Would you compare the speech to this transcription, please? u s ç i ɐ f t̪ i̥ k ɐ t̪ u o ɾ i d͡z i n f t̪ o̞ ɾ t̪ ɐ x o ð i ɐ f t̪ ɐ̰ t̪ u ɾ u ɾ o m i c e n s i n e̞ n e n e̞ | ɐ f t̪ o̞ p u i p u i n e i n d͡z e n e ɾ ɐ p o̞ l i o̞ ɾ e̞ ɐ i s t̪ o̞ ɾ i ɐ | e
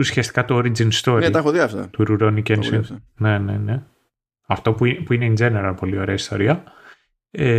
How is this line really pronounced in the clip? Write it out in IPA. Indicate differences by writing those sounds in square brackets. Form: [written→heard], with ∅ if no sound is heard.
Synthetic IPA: u s ç i ɐ [f→s] t̪ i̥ k ɐ t̪ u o ɾ i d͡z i n [f→s] t̪ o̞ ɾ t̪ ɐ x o ð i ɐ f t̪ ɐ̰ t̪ u ɾ u ɾ o [m→n] i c e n s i n e̞ n e n e̞ | ɐ f t̪ o̞ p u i p u i n e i n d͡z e n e ɾ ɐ p o̞ l i o̞ ɾ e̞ ɐ i s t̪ o̞ ɾ i ɐ | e